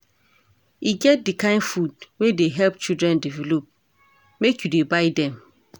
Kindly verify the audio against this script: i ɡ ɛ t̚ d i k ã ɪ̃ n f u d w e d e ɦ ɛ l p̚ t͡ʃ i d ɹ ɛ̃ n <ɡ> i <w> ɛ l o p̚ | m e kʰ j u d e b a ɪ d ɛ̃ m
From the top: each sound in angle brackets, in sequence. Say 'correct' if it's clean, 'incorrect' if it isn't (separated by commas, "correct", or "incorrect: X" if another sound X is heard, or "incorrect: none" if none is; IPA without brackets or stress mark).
incorrect: d, incorrect: v